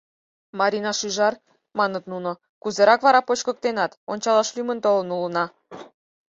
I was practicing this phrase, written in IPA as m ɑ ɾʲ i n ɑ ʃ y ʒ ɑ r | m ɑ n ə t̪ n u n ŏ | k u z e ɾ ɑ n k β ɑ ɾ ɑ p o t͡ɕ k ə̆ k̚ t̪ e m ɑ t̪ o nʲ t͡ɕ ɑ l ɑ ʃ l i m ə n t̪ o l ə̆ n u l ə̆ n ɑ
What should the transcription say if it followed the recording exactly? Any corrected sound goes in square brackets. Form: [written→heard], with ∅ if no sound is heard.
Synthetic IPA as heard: m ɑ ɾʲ i n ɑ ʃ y ʒ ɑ r | m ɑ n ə t̪ n u n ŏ | k u z e ɾ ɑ [n→∅] k β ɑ ɾ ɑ p o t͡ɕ k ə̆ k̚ t̪ e [m→n] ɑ t̪ o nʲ t͡ɕ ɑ l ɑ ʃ l [i→y] m ə n t̪ o l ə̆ n u l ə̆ n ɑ